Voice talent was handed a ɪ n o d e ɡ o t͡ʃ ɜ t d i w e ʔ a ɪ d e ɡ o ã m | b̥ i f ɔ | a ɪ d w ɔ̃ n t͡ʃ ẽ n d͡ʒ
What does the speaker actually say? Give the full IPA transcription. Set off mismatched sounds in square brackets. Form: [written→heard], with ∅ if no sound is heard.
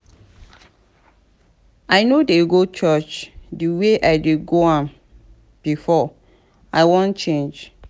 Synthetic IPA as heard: a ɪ n o d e ɡ o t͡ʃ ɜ [t→t͡ʃ] d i w e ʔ a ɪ d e ɡ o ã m | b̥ i f ɔ | a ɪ [d→∅] w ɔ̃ n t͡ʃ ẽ n d͡ʒ